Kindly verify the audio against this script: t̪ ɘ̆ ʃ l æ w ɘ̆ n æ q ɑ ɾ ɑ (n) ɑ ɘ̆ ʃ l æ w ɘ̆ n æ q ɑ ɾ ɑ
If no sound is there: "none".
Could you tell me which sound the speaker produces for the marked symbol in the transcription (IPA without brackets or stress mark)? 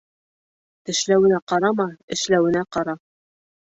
m